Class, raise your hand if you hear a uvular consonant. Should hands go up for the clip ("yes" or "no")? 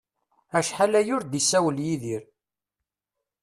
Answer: no